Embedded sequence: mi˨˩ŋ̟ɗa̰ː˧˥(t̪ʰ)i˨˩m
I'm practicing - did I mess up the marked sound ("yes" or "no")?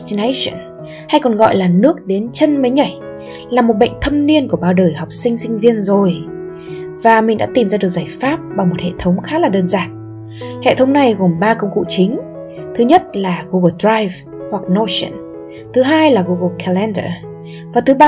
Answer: yes